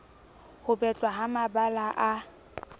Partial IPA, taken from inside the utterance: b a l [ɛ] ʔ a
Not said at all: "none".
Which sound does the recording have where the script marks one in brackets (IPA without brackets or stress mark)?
a